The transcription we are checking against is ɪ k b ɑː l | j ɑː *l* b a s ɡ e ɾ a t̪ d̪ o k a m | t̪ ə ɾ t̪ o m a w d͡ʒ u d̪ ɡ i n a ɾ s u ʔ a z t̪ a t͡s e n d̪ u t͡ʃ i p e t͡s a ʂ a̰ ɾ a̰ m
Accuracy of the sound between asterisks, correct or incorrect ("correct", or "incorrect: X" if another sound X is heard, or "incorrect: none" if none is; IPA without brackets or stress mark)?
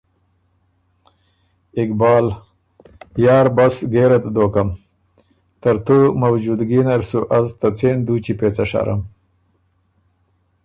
incorrect: ɾ